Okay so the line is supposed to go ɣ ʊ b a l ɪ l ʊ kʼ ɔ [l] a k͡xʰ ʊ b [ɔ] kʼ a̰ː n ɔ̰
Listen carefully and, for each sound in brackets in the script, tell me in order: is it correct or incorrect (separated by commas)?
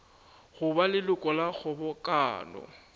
correct, correct